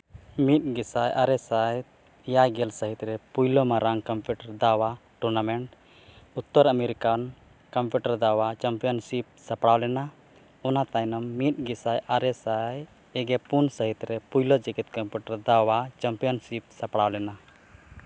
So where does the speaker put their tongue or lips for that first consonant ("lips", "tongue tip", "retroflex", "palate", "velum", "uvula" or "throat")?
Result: lips